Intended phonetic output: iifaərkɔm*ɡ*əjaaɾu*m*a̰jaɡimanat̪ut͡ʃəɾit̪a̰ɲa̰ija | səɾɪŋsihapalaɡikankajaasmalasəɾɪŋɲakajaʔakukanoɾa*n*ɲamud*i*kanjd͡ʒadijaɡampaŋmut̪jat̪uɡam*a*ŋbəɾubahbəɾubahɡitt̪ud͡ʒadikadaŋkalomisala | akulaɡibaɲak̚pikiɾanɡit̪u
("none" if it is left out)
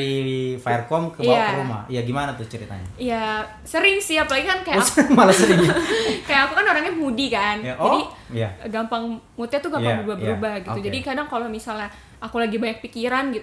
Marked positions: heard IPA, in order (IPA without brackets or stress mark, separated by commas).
k, m, ŋ, i, a